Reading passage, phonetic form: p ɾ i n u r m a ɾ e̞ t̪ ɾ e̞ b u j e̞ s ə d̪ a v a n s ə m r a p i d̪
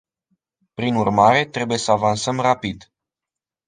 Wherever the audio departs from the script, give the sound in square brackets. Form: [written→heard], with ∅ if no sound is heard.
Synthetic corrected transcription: p ɾ i n u r m a ɾ e̞ t̪ ɾ e̞ b u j e̞ s ə [d̪→∅] a v a n s ə m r a p i d̪